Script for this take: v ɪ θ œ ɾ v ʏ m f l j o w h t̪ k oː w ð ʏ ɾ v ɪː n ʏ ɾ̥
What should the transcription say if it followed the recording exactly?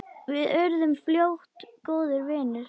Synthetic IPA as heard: v ɪ ð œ ɾ ð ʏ m f l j o w h t̪ k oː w ð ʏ ɾ v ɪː n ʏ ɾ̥